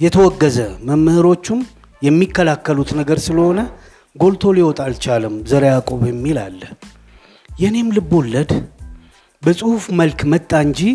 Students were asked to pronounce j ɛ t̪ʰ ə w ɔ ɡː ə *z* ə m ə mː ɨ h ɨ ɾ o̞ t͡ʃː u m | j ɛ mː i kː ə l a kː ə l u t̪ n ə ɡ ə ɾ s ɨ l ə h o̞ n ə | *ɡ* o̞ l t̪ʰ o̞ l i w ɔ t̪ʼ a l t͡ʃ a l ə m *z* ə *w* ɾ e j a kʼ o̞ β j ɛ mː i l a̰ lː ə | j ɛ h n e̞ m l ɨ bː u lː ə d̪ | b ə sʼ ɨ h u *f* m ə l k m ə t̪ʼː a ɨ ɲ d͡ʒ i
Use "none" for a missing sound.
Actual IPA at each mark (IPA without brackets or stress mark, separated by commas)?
z, ɡ, z, none, f